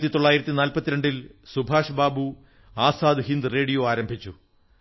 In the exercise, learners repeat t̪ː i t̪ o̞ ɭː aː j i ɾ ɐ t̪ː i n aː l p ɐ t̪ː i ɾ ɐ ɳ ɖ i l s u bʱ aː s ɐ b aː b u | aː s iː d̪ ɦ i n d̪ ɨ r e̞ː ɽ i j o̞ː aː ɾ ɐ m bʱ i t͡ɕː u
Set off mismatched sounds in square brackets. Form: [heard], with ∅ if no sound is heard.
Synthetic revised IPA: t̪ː i t̪ o̞ ɭː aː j i ɾ ɐ t̪ː i n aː l p ɐ t̪ː i ɾ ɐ ɳ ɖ i l s u bʱ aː [ʂ] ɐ b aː b u | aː s [aː] d̪ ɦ i n d̪ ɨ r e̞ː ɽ i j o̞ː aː ɾ ɐ m bʱ i t͡ɕː u